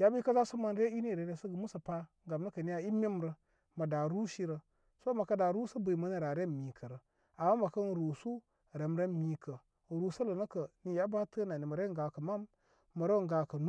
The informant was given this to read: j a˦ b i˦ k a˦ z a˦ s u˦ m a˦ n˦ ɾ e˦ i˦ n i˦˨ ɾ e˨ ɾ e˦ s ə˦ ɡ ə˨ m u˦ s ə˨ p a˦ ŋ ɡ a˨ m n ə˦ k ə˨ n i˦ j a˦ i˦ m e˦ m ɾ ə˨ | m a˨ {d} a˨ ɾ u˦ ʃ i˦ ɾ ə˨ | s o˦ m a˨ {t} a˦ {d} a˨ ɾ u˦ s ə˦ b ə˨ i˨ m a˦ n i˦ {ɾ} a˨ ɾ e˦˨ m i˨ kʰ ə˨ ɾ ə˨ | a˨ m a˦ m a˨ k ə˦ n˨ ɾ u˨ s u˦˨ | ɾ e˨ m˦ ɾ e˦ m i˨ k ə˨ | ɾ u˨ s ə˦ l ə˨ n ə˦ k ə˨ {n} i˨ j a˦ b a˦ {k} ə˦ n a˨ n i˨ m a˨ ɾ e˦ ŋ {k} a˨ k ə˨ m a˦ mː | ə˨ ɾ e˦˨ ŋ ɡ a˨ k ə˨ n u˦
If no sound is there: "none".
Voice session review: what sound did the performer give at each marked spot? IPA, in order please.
d, k, d, ɾ, n, t, ɡ

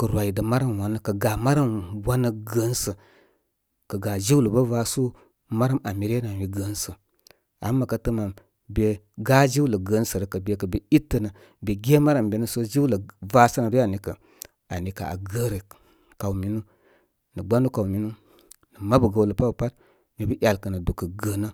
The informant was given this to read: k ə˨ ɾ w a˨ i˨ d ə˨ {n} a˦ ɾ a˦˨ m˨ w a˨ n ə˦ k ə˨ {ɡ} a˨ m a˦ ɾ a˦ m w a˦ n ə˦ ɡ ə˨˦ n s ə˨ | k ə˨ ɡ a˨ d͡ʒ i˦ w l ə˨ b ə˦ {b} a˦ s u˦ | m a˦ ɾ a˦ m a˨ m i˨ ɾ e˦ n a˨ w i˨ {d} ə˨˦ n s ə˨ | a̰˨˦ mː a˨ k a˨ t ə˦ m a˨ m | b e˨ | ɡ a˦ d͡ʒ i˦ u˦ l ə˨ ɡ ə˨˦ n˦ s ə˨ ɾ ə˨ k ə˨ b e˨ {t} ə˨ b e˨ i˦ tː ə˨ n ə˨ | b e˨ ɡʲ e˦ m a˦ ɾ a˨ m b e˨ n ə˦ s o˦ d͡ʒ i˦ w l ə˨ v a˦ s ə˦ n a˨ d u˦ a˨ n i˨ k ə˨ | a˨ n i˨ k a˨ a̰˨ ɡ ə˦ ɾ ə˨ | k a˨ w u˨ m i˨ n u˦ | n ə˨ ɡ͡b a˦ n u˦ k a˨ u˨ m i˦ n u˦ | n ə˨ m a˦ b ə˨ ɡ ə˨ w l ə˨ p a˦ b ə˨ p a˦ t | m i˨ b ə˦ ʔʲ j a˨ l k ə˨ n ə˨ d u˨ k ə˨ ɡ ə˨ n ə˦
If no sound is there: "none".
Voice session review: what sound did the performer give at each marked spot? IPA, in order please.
m, ɡ, v, ɡ, k

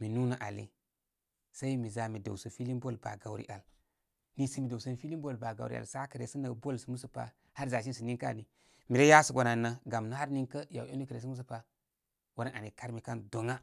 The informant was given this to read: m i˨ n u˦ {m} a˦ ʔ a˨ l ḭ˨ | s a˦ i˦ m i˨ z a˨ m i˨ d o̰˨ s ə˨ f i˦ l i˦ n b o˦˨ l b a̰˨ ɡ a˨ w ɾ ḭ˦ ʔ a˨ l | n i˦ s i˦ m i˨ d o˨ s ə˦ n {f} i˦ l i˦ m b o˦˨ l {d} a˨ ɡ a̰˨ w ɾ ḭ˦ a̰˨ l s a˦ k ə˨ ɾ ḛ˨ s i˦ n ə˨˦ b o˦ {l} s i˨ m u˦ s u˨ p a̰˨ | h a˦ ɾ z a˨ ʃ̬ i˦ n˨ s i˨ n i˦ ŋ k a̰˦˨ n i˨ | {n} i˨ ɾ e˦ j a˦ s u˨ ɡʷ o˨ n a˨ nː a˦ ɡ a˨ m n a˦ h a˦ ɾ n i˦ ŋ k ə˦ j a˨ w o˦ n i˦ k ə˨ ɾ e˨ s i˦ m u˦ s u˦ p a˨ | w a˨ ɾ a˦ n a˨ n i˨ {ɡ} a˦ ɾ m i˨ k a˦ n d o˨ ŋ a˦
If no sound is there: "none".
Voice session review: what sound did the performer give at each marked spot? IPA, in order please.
n, f, b, l, m, k

